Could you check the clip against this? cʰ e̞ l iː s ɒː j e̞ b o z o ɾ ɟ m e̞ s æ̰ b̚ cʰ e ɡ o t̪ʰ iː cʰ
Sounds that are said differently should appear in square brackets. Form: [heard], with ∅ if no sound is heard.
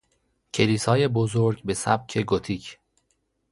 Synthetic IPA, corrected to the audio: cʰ e̞ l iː s ɒː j e̞ b o z o ɾ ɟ [b] e̞ s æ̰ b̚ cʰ e ɡ o t̪ʰ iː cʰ